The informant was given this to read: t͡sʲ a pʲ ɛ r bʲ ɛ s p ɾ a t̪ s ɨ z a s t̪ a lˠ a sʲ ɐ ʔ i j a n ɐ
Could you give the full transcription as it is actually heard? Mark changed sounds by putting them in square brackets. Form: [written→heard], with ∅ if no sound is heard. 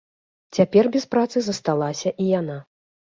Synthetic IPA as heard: t͡sʲ a pʲ ɛ r bʲ ɛ s p ɾ a t̪ s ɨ z [a→ɐ] s t̪ a lˠ a sʲ ɐ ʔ i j a n [ɐ→a]